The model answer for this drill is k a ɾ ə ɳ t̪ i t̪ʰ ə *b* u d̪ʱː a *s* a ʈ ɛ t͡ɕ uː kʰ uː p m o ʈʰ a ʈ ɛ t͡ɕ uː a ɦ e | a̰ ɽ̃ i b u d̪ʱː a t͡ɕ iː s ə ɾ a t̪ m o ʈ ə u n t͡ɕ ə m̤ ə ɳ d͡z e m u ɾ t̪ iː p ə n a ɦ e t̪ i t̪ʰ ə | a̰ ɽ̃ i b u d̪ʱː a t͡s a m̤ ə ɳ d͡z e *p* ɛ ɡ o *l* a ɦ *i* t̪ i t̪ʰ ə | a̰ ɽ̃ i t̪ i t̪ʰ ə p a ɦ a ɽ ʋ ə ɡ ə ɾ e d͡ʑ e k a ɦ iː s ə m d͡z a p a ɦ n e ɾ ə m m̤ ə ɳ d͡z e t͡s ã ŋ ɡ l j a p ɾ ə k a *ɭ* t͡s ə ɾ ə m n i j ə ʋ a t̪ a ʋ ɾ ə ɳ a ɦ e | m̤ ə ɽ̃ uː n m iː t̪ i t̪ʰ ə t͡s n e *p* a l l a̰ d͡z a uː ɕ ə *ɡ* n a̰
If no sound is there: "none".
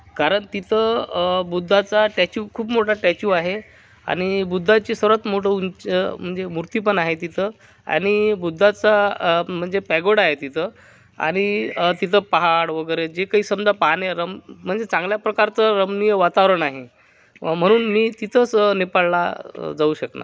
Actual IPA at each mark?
b, t͡s, p, ɽ, e, ɾ, p, k

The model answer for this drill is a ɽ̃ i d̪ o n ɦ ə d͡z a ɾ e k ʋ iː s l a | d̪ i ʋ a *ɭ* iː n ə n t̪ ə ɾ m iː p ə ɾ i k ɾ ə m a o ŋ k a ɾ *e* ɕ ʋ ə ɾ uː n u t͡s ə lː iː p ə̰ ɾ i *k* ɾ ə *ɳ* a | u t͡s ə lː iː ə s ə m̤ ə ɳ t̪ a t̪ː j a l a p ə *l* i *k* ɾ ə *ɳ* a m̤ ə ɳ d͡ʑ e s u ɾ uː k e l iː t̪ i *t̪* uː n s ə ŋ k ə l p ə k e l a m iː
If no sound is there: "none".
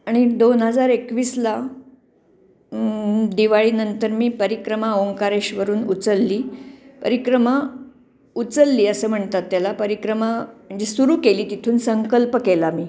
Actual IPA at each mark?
ɭ, e, k, m, ɾ, k, m, t̪ʰ

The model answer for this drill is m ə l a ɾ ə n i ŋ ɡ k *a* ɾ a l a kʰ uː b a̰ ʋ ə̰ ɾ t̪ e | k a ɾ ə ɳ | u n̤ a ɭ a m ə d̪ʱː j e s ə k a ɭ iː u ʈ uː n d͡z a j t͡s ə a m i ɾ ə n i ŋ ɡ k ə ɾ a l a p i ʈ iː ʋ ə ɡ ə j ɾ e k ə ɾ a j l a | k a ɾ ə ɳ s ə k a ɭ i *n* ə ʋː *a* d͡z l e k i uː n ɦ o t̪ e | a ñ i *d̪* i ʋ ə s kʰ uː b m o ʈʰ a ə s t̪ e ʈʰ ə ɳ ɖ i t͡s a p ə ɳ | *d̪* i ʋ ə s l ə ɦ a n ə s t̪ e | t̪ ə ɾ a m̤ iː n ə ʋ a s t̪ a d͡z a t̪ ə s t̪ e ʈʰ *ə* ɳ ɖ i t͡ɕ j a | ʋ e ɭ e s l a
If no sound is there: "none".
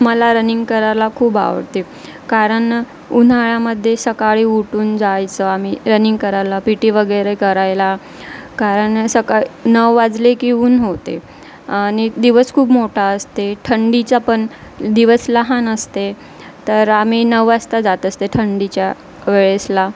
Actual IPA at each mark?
ə, n, a, d̪, d̪, ə

